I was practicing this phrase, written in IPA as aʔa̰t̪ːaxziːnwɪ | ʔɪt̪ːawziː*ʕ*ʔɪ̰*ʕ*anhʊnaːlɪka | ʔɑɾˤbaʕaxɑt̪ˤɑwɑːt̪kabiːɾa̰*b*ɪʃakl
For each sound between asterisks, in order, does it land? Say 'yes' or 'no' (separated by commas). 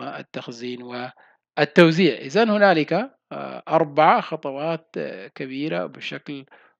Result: yes, no, yes